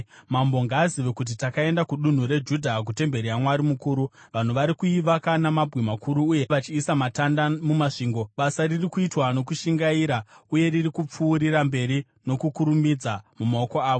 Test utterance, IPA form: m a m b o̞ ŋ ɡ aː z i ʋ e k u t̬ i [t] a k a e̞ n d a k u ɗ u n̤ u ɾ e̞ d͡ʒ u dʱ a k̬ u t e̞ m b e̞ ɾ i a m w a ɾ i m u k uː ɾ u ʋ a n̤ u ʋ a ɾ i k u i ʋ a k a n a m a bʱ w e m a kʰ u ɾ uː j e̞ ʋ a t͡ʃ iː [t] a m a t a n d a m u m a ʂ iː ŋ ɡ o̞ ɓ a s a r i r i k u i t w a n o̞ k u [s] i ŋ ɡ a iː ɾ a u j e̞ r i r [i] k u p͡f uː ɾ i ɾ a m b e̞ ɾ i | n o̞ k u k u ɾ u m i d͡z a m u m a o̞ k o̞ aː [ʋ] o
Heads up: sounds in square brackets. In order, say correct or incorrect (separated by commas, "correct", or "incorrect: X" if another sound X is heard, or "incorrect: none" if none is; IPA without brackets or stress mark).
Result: correct, incorrect: s, incorrect: ʃ, correct, correct